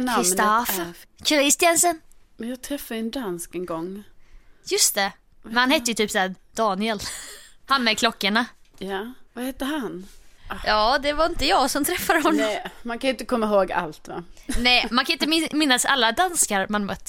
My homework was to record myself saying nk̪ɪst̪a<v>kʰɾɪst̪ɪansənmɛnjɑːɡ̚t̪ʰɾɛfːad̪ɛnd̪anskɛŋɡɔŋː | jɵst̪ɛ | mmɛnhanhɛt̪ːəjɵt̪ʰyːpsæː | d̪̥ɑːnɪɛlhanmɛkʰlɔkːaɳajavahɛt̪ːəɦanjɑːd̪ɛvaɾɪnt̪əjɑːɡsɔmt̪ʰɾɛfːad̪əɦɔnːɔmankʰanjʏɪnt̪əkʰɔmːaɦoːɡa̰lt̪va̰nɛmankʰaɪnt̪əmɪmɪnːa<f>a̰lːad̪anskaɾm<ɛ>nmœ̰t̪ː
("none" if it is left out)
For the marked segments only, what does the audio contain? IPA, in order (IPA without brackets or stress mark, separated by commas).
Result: f, s, a